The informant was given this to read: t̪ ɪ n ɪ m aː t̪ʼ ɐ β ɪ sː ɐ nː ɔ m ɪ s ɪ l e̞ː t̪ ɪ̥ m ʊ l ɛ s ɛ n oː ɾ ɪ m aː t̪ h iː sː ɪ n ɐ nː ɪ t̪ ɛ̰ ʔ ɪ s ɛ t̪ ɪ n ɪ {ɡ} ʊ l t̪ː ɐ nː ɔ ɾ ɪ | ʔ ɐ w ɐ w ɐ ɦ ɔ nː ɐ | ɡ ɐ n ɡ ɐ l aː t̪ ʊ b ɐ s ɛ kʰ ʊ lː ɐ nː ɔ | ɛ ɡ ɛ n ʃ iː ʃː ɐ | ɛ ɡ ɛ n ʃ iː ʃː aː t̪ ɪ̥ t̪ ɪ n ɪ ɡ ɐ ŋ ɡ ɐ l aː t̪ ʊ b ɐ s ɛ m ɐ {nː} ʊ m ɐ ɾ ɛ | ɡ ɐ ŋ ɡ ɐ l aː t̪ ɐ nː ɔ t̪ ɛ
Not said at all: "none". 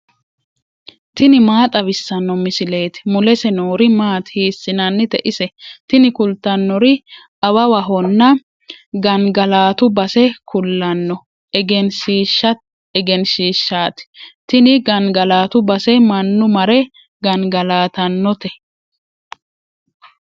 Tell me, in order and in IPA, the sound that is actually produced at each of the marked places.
k, nː

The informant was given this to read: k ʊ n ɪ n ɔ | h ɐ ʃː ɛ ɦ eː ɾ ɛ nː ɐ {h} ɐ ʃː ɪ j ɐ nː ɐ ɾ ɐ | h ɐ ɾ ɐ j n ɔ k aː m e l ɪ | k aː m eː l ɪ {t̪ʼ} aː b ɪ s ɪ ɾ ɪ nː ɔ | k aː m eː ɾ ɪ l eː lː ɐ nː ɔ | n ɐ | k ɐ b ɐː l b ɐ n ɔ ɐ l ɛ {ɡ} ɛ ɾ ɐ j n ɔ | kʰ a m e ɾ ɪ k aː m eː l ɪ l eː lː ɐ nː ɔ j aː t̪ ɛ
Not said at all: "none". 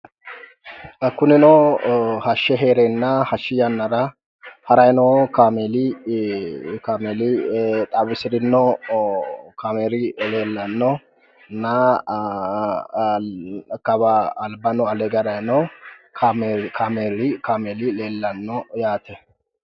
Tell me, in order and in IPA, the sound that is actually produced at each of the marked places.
h, t̪ʼ, ɡ

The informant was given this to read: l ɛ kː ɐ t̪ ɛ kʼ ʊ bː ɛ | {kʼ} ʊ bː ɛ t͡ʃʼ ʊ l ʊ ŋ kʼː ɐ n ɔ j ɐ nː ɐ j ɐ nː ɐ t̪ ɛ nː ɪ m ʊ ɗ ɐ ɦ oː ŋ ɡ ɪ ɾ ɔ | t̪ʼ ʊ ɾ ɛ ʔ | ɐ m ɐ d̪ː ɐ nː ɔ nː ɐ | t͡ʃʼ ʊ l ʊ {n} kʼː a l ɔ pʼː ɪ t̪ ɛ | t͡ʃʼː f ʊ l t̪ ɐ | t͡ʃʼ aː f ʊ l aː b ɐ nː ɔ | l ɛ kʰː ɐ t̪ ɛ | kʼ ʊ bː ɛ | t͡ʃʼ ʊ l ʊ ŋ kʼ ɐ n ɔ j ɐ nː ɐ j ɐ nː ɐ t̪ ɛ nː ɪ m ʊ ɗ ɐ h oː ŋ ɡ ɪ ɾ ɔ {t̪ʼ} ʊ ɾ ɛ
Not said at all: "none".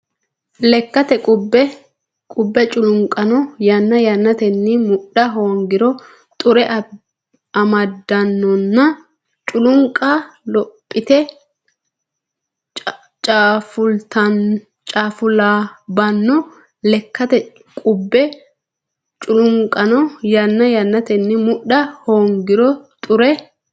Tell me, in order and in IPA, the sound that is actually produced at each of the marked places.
kʼ, ŋ, t̪ʼ

